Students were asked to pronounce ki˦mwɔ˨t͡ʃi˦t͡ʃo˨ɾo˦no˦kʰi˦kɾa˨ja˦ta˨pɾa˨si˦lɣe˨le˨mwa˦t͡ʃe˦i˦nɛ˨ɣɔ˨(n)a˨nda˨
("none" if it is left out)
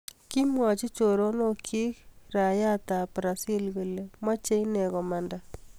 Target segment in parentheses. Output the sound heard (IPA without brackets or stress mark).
m